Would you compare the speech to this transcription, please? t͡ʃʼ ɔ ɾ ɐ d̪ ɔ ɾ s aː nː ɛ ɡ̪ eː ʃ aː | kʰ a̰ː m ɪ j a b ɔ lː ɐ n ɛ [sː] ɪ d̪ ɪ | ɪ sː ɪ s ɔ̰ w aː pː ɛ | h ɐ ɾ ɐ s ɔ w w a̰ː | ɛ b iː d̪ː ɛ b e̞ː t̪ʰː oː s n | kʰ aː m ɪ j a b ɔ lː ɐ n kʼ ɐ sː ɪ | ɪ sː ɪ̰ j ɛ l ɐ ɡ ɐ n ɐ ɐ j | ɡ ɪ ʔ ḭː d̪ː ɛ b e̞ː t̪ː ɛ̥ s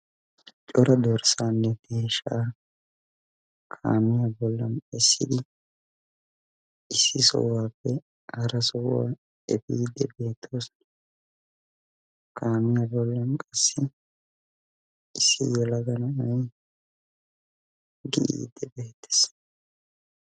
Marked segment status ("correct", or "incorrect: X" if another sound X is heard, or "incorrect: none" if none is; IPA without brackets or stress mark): correct